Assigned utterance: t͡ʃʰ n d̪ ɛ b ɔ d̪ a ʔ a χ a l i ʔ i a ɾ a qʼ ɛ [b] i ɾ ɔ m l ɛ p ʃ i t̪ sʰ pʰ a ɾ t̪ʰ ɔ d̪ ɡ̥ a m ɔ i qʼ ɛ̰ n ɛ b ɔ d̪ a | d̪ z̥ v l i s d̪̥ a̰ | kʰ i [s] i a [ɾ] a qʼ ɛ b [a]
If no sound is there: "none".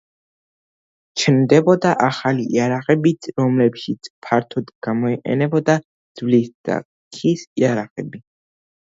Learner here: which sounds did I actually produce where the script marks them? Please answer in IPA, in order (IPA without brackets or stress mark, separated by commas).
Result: b, s, ɾ, i